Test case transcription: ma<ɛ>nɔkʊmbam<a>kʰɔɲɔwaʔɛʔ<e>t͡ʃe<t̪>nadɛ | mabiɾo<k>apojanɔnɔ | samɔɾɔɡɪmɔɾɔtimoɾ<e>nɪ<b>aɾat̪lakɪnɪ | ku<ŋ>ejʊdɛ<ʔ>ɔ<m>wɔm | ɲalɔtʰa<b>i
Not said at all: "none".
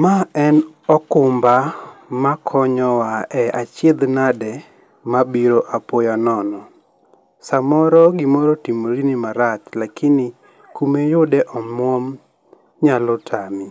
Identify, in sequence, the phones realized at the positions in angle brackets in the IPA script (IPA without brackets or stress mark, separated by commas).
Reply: ɛ, a, a, d̪, ʔ, i, m, m, ʔ, m, m